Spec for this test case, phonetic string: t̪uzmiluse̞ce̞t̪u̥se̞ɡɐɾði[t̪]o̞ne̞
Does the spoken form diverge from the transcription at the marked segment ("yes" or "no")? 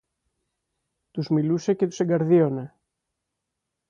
yes